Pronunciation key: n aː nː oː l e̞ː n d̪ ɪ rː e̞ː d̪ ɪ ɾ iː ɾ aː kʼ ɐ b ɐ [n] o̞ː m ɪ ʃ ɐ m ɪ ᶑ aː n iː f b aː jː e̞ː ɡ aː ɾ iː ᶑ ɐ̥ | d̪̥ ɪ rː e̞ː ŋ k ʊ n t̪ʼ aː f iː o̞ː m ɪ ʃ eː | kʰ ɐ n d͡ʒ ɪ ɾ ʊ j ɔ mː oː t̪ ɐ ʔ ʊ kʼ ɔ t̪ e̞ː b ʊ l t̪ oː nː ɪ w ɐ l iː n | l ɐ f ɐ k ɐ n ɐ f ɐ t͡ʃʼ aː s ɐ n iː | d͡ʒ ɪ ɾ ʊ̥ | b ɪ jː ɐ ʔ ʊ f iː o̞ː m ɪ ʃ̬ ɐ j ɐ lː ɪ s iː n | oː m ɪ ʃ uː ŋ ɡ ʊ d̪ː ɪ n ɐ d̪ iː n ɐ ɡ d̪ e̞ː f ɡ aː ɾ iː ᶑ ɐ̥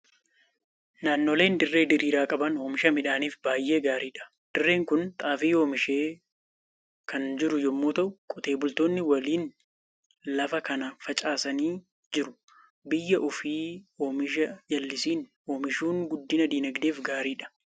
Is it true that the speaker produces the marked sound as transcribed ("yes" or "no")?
yes